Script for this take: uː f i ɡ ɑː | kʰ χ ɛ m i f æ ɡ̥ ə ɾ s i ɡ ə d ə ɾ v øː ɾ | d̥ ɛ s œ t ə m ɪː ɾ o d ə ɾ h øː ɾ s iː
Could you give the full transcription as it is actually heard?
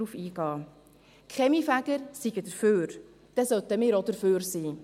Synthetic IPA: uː f iː ɡ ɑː | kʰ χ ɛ m i f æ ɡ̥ ə ɾ s i ɡ ə d ə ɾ f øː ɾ | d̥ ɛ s œ t ə m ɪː ɾ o d ə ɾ f øː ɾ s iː